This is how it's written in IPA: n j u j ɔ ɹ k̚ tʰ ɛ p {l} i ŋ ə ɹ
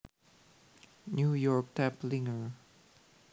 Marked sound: correct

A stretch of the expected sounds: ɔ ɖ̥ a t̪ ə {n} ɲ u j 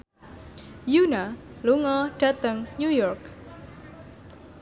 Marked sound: incorrect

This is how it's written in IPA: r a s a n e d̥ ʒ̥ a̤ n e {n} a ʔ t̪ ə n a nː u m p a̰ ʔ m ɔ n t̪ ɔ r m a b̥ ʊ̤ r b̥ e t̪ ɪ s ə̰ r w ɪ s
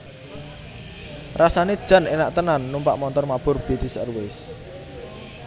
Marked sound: correct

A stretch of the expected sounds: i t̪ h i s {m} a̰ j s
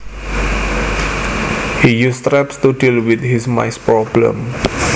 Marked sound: correct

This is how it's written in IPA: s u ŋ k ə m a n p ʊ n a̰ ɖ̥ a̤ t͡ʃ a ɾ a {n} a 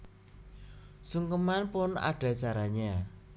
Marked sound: incorrect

